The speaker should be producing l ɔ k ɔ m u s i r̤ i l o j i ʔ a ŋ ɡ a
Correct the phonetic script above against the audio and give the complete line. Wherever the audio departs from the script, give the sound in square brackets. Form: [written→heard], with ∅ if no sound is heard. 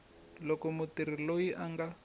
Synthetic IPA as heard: l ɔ k ɔ m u [s→t] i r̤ i l o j i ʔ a ŋ ɡ a